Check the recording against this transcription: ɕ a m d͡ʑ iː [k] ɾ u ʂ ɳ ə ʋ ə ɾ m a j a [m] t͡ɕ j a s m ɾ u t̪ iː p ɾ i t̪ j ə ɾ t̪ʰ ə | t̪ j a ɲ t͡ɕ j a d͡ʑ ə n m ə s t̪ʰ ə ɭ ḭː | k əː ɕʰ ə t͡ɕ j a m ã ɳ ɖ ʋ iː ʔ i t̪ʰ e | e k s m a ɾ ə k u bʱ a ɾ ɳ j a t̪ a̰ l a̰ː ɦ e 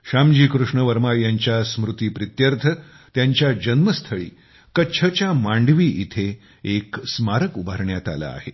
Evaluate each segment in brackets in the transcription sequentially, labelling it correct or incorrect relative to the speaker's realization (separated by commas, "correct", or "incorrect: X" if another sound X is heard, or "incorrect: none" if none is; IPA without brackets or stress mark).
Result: correct, incorrect: ɲ